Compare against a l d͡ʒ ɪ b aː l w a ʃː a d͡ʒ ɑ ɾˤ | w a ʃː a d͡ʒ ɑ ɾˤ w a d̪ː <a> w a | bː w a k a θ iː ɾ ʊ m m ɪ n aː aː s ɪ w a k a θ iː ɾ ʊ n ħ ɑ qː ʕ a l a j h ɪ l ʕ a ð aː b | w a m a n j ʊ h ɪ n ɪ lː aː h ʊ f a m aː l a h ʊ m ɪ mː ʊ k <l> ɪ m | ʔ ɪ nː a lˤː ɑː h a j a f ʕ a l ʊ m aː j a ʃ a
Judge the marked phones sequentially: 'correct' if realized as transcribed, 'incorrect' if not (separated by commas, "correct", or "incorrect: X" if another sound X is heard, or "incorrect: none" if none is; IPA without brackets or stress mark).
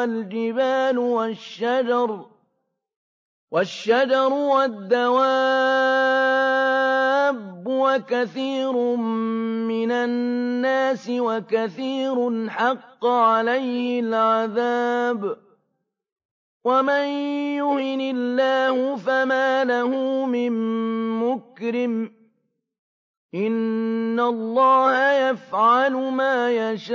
correct, incorrect: ɾ